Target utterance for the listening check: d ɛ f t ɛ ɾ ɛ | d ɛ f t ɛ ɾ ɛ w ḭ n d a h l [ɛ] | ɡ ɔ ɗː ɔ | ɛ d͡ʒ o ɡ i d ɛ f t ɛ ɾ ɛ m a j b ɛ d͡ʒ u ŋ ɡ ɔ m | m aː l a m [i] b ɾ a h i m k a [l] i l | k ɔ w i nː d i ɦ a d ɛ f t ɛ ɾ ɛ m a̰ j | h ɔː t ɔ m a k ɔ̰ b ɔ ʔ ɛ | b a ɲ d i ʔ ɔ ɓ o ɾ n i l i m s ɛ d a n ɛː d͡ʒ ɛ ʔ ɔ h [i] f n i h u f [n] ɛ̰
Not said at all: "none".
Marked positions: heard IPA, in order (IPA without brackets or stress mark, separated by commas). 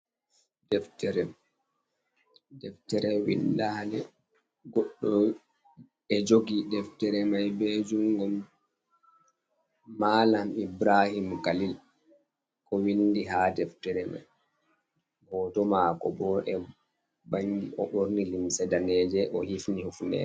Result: ɛ, i, l, i, n